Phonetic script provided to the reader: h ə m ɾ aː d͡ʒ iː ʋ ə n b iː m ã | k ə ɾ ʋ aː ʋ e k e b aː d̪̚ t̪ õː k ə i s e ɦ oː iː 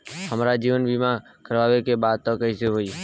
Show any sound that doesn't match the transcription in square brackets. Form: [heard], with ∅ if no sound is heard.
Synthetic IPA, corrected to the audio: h ə m ɾ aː d͡ʒ iː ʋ ə n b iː m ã | k ə ɾ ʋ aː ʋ e k e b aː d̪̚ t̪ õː k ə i s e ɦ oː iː